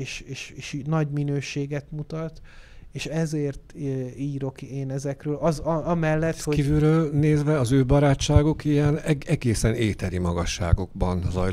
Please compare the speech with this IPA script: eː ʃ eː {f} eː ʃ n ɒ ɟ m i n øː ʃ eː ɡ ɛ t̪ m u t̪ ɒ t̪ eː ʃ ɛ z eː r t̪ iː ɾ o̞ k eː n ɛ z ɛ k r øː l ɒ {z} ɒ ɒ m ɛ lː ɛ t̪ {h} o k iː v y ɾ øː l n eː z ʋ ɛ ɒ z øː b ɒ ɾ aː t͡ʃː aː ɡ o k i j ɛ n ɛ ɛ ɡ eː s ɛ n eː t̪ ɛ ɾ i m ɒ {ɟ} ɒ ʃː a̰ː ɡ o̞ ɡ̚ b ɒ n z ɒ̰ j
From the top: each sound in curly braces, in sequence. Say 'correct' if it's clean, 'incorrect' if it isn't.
incorrect: ʃ, correct, correct, incorrect: ɡ

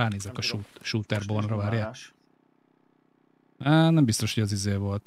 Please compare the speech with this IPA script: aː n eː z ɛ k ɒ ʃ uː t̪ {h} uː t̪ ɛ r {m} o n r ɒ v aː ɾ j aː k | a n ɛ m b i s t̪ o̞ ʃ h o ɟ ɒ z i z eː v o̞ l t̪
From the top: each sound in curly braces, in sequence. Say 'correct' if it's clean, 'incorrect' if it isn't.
incorrect: ʃ, incorrect: b

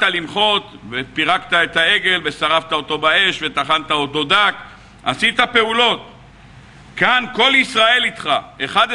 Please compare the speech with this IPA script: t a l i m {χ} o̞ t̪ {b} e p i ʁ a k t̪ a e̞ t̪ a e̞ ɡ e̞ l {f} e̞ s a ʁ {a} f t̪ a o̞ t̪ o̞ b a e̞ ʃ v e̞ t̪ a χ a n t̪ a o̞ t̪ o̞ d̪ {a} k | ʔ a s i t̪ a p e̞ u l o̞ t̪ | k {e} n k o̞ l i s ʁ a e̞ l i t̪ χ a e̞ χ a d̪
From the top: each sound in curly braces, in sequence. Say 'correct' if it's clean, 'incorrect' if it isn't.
correct, incorrect: v, incorrect: v, correct, correct, incorrect: a

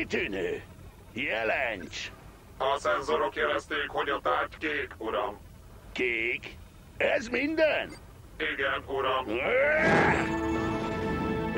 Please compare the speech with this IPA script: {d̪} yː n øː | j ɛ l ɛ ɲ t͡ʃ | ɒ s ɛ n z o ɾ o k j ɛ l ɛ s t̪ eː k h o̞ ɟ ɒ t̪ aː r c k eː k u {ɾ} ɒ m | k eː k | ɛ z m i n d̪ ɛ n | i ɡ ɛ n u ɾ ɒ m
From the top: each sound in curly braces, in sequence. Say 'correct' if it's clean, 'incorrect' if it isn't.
incorrect: t̪, correct

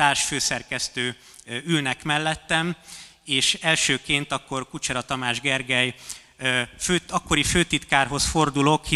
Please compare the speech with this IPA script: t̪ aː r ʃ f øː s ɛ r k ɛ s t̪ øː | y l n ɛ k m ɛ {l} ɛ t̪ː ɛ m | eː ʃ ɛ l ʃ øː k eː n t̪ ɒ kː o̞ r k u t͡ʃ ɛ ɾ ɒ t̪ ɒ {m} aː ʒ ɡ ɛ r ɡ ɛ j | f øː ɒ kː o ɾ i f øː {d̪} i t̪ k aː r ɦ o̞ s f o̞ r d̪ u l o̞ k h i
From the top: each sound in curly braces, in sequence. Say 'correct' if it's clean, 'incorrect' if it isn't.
incorrect: lː, correct, incorrect: t̪

